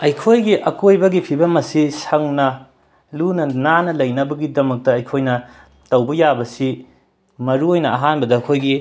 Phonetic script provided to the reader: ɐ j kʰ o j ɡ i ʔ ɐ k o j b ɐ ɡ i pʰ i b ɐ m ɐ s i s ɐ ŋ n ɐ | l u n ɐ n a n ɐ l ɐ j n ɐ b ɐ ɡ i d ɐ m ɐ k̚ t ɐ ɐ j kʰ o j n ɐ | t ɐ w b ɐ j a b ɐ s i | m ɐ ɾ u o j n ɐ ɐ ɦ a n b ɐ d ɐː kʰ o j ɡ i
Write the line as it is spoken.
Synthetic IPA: ɐ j kʰ o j ɡ i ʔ ɐ k o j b ɐ ɡ i pʰ i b ɐ m ɐ s i s ɐ ŋ n ɐ | l u n ɐ n a n ɐ l ɐ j n ɐ b ɐ ɡ i d ɐ m ɐ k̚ t ɐ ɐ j kʰ o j n ɐ | t ɐ w b ɐ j a b ɐ s i | m ɐ ɾ u o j n ɐ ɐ ɦ a n b ɐ d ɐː kʰ o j ɡ i